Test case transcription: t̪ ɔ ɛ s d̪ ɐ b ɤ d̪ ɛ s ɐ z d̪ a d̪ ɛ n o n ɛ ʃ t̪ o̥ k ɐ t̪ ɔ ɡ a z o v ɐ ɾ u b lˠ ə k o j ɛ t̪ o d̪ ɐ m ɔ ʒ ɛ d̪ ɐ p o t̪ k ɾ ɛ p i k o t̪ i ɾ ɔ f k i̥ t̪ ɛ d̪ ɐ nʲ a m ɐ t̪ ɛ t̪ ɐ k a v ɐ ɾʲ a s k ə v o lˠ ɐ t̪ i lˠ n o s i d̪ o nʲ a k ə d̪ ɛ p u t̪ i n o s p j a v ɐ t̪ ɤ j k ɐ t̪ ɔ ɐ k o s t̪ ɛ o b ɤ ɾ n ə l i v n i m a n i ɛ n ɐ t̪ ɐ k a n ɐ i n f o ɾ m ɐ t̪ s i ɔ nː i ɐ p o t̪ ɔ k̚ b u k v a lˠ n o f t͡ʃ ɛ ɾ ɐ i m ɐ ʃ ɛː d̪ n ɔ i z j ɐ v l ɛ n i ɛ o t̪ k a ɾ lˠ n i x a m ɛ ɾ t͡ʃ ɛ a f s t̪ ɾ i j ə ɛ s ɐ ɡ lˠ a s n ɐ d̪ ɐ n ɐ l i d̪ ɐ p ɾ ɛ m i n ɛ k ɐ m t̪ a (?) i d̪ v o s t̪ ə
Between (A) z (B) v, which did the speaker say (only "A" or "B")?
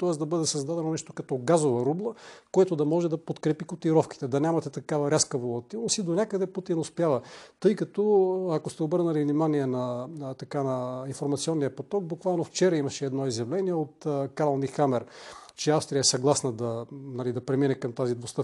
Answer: A